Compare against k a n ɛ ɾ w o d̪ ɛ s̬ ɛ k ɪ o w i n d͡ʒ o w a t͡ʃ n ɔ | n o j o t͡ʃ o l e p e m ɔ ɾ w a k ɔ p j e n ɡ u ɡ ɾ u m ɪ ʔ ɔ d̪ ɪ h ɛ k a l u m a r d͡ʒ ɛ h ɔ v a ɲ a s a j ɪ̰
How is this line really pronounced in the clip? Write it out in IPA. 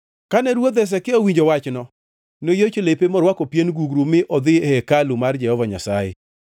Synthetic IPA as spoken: k a n ɛ ɾ w o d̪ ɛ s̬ ɛ k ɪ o w i ɲ d͡ʒ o w a t͡ʃ n ɔ | n o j o t͡ʃ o l e p e m ɔ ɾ w a k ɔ p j e n ɡ u ɡ ɾ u m ɪ ʔ ɔ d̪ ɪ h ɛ k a l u m a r d͡ʒ ɛ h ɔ v a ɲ a s a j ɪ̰